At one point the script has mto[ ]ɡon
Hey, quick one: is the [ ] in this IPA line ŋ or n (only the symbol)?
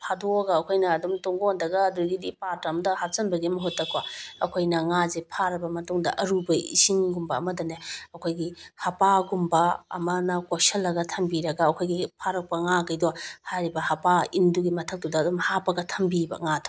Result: ŋ